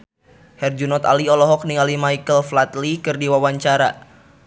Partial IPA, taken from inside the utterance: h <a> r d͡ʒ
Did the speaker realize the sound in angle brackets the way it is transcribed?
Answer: no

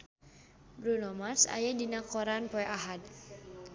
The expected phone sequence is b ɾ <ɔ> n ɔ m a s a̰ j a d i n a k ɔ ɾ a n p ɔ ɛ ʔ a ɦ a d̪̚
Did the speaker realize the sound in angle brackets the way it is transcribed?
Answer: no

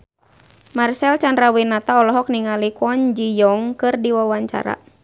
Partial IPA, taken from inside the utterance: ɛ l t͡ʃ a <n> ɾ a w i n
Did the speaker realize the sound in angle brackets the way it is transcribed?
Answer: yes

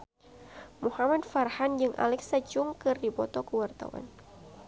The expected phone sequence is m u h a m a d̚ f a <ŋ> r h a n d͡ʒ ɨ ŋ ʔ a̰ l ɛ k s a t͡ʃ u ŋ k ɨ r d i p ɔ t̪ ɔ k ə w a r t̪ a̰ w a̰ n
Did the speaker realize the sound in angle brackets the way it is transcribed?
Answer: no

